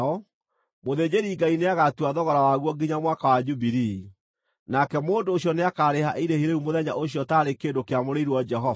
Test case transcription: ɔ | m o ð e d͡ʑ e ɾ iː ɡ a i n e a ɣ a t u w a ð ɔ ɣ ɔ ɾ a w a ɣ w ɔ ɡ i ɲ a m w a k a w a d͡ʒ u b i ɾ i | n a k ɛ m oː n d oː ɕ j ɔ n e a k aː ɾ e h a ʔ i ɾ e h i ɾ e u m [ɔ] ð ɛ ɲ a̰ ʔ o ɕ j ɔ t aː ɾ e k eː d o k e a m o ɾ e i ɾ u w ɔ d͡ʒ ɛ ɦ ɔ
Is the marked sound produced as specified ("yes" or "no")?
no